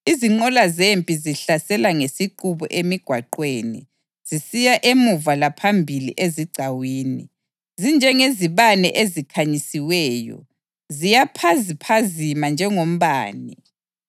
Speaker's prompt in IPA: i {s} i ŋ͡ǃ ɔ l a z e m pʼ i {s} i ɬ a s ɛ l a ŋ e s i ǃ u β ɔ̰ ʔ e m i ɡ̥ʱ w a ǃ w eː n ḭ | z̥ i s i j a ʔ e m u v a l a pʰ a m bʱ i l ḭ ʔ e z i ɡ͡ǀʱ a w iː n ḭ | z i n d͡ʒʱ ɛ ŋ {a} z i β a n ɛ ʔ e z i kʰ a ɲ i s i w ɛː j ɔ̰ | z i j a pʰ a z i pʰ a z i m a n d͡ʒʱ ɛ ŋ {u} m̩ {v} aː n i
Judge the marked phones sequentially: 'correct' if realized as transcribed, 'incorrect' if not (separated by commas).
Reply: incorrect, incorrect, incorrect, incorrect, incorrect